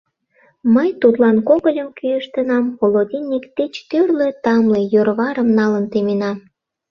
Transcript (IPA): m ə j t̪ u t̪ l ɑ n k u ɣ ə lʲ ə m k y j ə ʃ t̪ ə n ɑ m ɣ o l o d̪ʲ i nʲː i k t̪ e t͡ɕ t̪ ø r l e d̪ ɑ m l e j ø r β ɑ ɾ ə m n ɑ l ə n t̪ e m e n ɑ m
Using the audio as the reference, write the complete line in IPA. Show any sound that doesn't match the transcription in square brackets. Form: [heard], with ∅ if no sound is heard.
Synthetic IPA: m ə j t̪ u t̪ l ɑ n k [o] ɣ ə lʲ ə m k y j ə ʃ t̪ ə n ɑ m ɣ o l o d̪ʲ i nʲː i k t̪ e t͡ɕ t̪ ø r l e [t̪] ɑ m l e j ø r β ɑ ɾ ə m n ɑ l ə n t̪ e m e n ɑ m